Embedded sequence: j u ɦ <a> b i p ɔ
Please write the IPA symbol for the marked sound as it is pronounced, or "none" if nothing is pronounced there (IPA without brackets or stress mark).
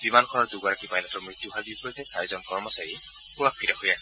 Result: a